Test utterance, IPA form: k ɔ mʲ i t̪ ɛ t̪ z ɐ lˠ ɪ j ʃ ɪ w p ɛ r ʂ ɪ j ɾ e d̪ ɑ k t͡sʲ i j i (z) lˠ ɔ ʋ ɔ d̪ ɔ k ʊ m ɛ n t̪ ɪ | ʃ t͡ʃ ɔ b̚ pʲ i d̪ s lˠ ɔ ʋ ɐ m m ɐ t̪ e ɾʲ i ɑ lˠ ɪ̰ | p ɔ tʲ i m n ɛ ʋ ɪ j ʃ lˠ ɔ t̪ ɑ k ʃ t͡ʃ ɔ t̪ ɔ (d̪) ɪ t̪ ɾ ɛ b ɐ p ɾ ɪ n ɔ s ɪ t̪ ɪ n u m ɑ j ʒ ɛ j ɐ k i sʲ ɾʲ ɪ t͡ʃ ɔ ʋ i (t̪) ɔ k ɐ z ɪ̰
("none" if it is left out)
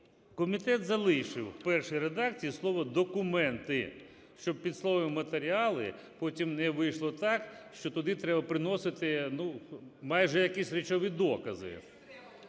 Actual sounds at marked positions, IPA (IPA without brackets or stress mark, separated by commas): s, d̪, d̪